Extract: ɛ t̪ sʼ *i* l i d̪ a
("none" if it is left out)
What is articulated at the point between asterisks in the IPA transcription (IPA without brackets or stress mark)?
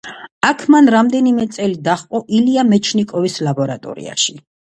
ɛ